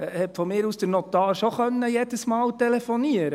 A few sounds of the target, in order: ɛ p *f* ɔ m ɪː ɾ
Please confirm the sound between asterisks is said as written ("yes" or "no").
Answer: yes